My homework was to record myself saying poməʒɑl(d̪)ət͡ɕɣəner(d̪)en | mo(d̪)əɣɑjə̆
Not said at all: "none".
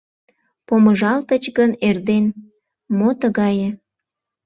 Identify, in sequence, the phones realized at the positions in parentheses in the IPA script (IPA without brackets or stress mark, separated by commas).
t̪, d̪, t̪